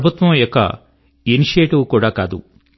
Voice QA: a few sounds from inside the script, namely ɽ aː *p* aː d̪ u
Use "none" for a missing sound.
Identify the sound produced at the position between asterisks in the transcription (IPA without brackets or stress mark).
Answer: k